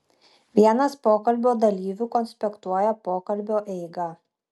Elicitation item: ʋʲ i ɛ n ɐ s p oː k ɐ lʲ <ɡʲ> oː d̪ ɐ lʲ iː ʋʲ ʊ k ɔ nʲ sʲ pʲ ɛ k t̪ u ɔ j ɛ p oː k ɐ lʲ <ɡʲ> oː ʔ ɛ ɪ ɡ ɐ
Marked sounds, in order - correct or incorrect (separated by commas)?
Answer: incorrect, incorrect